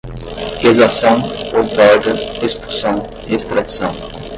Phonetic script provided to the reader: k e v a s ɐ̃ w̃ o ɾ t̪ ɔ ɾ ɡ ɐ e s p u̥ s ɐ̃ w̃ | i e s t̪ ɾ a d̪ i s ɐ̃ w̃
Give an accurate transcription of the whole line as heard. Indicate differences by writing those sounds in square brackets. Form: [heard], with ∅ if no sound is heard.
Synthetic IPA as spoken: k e [z] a s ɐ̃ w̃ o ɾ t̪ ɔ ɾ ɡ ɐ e s p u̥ s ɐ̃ w̃ | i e s t̪ ɾ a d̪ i s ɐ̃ w̃